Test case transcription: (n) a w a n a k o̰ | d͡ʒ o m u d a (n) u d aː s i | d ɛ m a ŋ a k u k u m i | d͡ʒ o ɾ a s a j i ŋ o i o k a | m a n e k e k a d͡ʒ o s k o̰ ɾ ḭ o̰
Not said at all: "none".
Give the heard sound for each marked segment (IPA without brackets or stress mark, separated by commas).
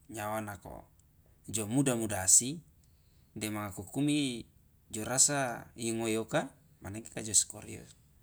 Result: ɲ, m